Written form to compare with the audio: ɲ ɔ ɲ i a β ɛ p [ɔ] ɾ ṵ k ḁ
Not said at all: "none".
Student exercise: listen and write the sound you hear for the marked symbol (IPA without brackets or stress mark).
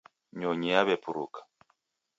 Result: u